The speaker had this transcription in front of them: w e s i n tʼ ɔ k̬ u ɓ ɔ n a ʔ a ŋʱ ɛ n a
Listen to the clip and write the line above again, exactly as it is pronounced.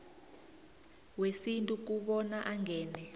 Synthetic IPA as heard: w e s i n tʼ u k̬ u ɓ ɔ n a ʔ a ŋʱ ɛː n ɛ